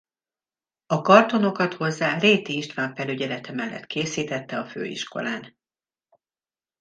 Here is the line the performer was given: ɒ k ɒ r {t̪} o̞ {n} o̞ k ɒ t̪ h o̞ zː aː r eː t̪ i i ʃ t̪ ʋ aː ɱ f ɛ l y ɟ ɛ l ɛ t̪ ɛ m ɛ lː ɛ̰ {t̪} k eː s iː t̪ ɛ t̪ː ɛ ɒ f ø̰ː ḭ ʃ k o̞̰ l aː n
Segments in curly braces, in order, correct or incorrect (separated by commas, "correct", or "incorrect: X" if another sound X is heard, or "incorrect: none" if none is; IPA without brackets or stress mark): correct, correct, correct